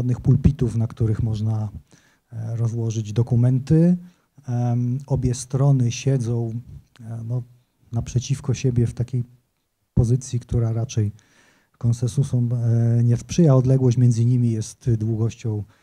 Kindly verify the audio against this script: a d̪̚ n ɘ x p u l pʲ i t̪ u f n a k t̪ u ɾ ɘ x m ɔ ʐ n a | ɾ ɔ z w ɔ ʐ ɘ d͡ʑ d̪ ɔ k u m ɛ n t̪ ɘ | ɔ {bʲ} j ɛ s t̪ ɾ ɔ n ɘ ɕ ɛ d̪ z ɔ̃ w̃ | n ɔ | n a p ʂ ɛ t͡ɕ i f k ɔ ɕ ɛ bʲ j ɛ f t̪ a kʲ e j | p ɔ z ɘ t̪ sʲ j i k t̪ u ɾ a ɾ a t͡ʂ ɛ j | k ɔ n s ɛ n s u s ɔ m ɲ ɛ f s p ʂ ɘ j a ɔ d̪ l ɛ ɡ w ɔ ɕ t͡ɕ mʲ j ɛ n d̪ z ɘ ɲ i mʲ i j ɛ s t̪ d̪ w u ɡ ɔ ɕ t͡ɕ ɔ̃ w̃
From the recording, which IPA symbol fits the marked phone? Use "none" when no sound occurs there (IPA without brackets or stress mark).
bʲ